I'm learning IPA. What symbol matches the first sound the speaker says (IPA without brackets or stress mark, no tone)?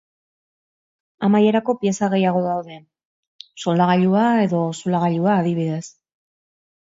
a